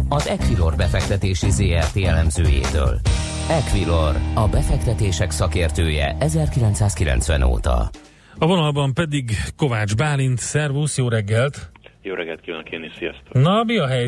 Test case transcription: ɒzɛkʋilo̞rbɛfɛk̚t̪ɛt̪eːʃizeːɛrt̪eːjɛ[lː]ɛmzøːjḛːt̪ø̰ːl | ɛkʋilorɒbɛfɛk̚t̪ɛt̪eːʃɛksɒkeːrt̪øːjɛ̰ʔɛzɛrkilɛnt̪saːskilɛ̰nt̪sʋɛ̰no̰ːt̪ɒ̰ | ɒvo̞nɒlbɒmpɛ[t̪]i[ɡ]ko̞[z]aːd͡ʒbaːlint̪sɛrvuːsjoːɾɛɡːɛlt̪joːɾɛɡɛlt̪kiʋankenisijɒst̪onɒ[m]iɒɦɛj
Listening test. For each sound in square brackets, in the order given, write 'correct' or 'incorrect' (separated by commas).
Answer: incorrect, incorrect, correct, incorrect, incorrect